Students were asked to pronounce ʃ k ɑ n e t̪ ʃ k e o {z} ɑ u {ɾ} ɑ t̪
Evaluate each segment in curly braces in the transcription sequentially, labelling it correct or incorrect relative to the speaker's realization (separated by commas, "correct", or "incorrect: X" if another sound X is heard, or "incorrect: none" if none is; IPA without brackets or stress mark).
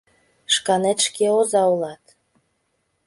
correct, incorrect: l